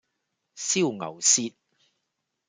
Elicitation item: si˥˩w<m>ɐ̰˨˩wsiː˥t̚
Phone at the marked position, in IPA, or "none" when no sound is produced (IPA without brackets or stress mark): ŋ